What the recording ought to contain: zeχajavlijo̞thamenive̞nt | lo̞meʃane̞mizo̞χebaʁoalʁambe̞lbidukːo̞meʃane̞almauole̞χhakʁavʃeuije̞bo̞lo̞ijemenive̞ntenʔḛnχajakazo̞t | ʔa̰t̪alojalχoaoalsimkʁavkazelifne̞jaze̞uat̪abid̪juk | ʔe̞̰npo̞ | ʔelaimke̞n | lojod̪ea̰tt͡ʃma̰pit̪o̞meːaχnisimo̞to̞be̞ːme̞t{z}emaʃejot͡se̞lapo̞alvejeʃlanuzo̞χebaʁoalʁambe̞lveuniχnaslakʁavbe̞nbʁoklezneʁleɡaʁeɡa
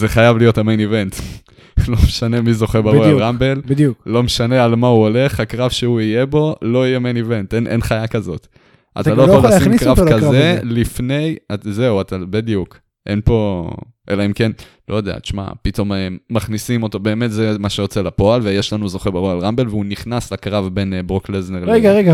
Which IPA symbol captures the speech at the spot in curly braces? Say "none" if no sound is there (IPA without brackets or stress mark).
z